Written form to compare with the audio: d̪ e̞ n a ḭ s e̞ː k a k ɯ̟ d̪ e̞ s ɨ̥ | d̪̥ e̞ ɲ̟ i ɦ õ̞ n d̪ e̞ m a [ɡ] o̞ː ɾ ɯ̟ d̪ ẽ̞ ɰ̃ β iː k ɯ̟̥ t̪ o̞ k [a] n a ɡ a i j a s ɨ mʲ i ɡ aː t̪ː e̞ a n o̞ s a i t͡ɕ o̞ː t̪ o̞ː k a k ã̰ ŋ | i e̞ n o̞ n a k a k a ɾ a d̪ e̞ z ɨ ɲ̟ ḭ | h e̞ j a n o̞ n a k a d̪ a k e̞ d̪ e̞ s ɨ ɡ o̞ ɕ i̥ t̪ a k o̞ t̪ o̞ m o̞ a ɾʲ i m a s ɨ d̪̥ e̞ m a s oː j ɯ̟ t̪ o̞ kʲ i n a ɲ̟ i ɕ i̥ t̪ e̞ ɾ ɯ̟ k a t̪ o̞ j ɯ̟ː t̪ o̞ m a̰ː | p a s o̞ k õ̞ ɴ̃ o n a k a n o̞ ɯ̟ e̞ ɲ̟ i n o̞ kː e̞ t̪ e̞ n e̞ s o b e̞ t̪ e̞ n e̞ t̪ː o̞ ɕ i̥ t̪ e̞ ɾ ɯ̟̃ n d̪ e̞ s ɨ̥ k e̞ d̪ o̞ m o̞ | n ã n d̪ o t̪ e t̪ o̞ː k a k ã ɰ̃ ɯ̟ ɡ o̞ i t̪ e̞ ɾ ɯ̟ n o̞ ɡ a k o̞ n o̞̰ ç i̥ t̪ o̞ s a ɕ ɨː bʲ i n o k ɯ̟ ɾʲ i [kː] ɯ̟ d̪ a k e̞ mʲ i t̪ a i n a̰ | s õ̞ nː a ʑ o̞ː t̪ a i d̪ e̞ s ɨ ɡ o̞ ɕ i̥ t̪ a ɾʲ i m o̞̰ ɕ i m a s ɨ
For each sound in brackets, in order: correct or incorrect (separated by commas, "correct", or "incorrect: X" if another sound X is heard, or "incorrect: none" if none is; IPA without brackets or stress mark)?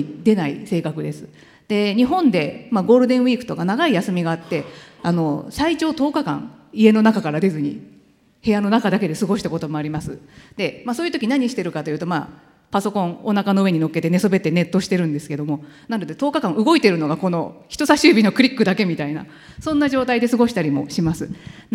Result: correct, correct, correct